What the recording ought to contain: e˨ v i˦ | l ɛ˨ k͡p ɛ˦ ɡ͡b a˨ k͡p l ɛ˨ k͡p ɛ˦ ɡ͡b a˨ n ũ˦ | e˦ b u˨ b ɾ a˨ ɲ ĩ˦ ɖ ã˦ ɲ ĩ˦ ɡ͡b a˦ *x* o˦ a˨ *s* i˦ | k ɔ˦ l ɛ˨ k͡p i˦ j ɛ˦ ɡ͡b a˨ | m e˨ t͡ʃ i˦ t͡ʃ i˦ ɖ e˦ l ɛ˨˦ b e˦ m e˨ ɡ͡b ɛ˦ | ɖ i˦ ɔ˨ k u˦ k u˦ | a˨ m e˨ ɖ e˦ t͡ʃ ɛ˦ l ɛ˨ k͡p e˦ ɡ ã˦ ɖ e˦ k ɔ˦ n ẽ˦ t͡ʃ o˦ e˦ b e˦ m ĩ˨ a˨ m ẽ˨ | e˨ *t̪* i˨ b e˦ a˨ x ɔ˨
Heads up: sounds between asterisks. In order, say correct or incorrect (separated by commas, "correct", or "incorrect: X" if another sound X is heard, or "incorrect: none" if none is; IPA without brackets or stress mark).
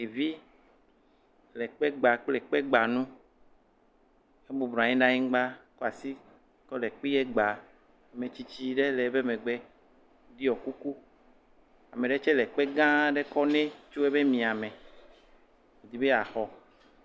incorrect: k, correct, incorrect: d̪